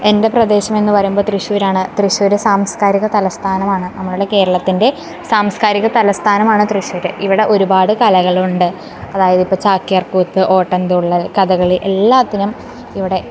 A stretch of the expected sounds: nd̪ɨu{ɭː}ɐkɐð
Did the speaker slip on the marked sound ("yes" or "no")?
no